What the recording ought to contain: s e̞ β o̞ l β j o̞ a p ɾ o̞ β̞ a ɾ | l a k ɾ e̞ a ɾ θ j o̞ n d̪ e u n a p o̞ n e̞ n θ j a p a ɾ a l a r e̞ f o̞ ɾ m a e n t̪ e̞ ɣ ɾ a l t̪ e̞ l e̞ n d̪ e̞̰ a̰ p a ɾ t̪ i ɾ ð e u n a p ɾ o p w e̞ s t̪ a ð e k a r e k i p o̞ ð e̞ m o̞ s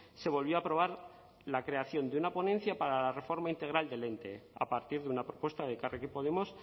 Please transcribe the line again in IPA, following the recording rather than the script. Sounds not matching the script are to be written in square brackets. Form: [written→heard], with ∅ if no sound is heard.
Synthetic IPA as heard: s e̞ β o̞ l β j o̞ a p ɾ o̞ β̞ a ɾ | l a k ɾ e̞ a [ɾ→∅] θ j o̞ n d̪ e u n a p o̞ n e̞ n θ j a p a ɾ a l a r e̞ f o̞ ɾ m a [e→i] n t̪ e̞ ɣ ɾ a l [t̪→d̪] e̞ l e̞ n [d̪→t̪] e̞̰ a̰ p a ɾ t̪ i ɾ ð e u n a p ɾ o p w e̞ s t̪ a ð e k a r e k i p o̞ ð e̞ m o̞ s

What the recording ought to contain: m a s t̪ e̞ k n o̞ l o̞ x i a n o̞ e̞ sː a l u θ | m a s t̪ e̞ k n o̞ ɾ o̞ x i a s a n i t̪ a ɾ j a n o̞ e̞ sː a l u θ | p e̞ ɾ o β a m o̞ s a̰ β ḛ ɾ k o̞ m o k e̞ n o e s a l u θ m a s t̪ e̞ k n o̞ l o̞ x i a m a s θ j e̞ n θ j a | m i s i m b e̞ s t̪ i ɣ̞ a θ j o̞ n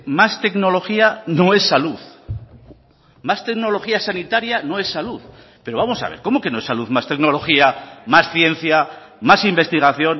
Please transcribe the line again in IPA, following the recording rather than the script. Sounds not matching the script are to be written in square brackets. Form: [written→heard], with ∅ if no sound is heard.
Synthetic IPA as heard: m a s t̪ e̞ k n o̞ l o̞ x i a n o̞ e̞ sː a l u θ | m a s t̪ e̞ k n o̞ [ɾ→l] o̞ x i a s a n i t̪ a ɾ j a n o̞ e̞ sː a l u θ | p e̞ ɾ o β a m o̞ s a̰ β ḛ ɾ k o̞ m o k e̞ n o e s a l u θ m a s t̪ e̞ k n o̞ l o̞ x i a m a s θ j e̞ n θ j a | m [i→a] s i m b e̞ s t̪ i ɣ̞ a θ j o̞ n

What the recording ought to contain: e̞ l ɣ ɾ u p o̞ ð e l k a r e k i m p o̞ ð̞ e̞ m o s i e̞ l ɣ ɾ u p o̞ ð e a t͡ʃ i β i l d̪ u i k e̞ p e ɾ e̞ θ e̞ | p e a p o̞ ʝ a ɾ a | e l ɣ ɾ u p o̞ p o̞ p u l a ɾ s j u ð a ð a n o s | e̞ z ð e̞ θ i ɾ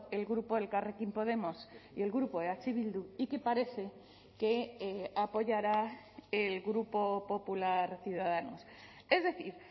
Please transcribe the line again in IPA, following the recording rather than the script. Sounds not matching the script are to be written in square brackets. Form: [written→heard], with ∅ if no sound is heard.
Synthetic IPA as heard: e̞ l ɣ ɾ u p o̞ ð e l k a r e k i m p o̞ ð̞ e̞ m o s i e̞ l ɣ ɾ u p o̞ ð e a t͡ʃ i β i l d̪ u i k e̞ p [e→a] ɾ e̞ θ e̞ | [p→k] e a p o̞ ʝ a ɾ a | e l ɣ ɾ u p o̞ p o̞ p u l a ɾ [s→θ] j u ð a ð a n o s | e̞ z ð e̞ θ i ɾ

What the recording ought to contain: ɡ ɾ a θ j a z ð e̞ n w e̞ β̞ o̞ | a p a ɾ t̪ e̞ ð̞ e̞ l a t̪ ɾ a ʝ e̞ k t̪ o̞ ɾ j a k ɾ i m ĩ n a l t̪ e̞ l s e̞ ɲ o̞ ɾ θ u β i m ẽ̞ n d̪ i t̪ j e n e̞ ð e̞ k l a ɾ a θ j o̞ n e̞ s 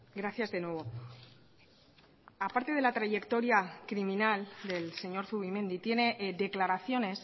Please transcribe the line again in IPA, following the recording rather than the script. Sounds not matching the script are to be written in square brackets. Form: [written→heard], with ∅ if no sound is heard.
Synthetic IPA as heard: ɡ ɾ a θ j a z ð e̞ n w e̞ β̞ o̞ | a p a ɾ t̪ e̞ ð̞ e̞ l a t̪ ɾ a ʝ e̞ k t̪ o̞ ɾ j a k ɾ i m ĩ n a l [t̪→d̪] e̞ l s e̞ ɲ o̞ ɾ θ u β i m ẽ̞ n d̪ i t̪ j e n e̞ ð e̞ k l a ɾ a θ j o̞ n e̞ s

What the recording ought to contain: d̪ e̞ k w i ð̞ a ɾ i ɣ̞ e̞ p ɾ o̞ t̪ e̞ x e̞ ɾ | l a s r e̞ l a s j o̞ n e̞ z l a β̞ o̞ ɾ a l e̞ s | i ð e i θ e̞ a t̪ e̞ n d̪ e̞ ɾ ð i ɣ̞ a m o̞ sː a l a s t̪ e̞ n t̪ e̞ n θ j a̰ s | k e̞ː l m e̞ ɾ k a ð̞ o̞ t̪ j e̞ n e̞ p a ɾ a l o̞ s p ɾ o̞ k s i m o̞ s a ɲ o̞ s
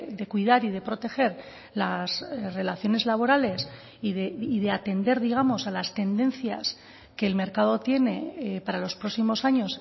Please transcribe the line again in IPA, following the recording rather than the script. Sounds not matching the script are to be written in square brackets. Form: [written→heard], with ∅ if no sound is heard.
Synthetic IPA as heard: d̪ e̞ k w i ð̞ a ɾ i [ɣ̞→ð̞] e̞ p ɾ o̞ t̪ e̞ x e̞ ɾ | l a s r e̞ l a [s→θ] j o̞ n e̞ z l a β̞ o̞ ɾ a l e̞ s | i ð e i [θ→ð] e̞ a t̪ e̞ n d̪ e̞ ɾ ð i ɣ̞ a m o̞ [sː→s] a l a s t̪ e̞ n [t̪→d̪] e̞ n θ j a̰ s | k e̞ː l m e̞ ɾ k a ð̞ o̞ t̪ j e̞ n e̞ p a ɾ a l o̞ s p ɾ o̞ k s i m o̞ s a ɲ o̞ s

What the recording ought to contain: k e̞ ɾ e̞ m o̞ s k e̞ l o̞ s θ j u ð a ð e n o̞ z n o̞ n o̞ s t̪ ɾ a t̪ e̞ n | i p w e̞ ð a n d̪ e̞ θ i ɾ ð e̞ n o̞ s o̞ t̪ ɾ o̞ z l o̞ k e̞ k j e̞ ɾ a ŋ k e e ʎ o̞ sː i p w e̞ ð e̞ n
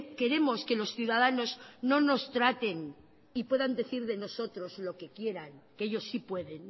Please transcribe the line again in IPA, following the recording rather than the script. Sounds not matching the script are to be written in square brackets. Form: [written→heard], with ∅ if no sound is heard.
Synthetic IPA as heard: k e̞ ɾ e̞ m o̞ s k e̞ l o̞ s θ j u ð a ð [e→a] n o̞ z n o̞ n o̞ s t̪ ɾ a t̪ e̞ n | i p w e̞ ð a n d̪ e̞ θ i ɾ ð e̞ n o̞ s o̞ t̪ ɾ o̞ z l o̞ k e̞ k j e̞ ɾ a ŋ k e e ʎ o̞ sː i p w e̞ ð e̞ n

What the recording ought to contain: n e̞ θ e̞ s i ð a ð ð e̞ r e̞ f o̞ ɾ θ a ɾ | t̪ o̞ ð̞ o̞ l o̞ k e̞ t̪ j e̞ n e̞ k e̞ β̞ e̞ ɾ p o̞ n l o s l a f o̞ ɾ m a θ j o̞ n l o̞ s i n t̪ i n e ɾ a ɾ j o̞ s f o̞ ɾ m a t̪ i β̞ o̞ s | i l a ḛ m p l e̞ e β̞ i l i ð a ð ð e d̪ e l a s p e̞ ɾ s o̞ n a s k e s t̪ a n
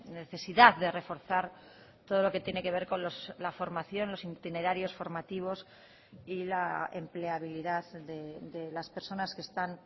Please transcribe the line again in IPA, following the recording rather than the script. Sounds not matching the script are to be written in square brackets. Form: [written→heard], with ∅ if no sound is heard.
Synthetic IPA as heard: n e̞ θ e̞ s i ð a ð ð e̞ r e̞ f o̞ ɾ θ a ɾ | t̪ o̞ ð̞ o̞ l o̞ k e̞ t̪ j e̞ n e̞ k e̞ β̞ e̞ ɾ [p→k] o̞ n l o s l a f o̞ ɾ m a θ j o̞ n l o̞ s i n t̪ i n e ɾ a ɾ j o̞ s f o̞ ɾ m a t̪ i β̞ o̞ s | i l a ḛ m p l e̞ [e→a] β̞ i l i ð a ð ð e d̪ e l a s p e̞ ɾ s o̞ n a s k e s t̪ a n

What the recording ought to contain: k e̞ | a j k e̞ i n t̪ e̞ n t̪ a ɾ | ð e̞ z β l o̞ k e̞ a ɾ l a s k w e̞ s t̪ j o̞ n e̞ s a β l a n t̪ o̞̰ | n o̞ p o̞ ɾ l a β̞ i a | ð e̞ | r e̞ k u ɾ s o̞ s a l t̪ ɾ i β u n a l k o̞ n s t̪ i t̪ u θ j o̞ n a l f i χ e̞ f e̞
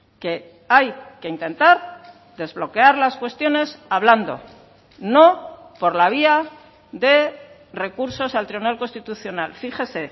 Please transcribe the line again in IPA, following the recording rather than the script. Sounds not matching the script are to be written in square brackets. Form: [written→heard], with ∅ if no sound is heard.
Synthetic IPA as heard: k e̞ | a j k e̞ i n t̪ e̞ n t̪ a ɾ | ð e̞ z β l o̞ k e̞ a ɾ l a s k w e̞ s t̪ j o̞ n e̞ s a β l a n [t̪→d̪] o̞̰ | n o̞ p o̞ ɾ l a β̞ i a | ð e̞ | r e̞ k u ɾ s o̞ s a l t̪ ɾ i β u n a l k o̞ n s t̪ i t̪ u θ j o̞ n a l f i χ e̞ [f→s] e̞

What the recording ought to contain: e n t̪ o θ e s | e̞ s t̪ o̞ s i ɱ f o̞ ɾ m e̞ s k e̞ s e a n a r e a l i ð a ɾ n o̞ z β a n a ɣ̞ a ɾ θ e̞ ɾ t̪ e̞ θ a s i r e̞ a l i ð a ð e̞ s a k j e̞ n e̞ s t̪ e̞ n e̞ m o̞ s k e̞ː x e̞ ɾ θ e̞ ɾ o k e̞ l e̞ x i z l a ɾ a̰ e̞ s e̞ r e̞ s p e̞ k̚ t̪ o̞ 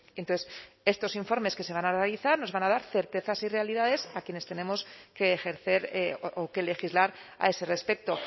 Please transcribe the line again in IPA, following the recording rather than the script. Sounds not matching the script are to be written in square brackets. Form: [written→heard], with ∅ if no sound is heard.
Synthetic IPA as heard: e n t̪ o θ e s | e̞ s t̪ o̞ s i ɱ f o̞ ɾ m e̞ s k e̞ s e a n a r e a l i [ð→θ] a ɾ n o̞ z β a n a [ɣ̞→ð̞] a ɾ θ e̞ ɾ t̪ e̞ θ a s i r e̞ a l i ð a ð e̞ s a k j e̞ n e̞ s t̪ e̞ n e̞ m o̞ s k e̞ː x e̞ ɾ θ e̞ ɾ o k e̞ l e̞ x i z l a ɾ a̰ e̞ s e̞ r e̞ s p e̞ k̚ t̪ o̞

